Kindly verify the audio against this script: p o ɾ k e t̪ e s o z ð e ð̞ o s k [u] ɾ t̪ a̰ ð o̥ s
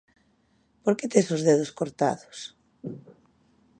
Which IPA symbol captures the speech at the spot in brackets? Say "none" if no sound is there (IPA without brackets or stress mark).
o